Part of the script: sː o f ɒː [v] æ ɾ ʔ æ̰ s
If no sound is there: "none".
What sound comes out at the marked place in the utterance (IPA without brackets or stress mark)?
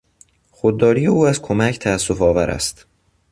v